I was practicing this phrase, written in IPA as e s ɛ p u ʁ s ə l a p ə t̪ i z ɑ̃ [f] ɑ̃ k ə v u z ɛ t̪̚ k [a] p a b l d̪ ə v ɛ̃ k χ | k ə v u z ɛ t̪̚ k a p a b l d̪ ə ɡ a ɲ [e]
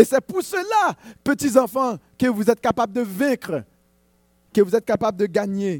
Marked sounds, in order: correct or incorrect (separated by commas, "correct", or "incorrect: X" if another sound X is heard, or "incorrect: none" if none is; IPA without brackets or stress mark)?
correct, correct, correct